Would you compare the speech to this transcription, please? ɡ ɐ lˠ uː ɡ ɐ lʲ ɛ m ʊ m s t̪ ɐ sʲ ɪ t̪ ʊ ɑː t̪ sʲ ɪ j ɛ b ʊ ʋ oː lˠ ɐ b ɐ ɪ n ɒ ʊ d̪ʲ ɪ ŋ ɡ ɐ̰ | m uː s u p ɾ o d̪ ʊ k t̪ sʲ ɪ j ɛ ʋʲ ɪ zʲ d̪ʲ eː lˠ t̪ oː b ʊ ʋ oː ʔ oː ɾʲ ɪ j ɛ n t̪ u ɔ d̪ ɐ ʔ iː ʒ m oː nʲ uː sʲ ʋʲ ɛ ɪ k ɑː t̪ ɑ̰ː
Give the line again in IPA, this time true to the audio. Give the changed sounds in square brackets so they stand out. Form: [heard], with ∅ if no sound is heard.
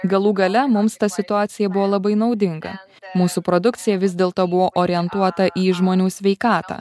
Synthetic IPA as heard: ɡ ɐ lˠ uː ɡ ɐ lʲ ɛ m ʊ m s t̪ ɐ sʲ ɪ t̪ ʊ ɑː t̪ sʲ ɪ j ɛ b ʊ ʋ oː lˠ ɐ b ɐ ɪ n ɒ ʊ d̪ʲ ɪ ŋ ɡ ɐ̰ | m uː s u p ɾ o d̪ ʊ k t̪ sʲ ɪ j ɛ ʋʲ ɪ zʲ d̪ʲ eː lˠ t̪ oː b ʊ ʋ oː ʔ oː ɾʲ ɪ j ɛ n t̪ u ɔ [t̪] ɐ ʔ iː ʒ m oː nʲ uː sʲ ʋʲ ɛ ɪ k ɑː t̪ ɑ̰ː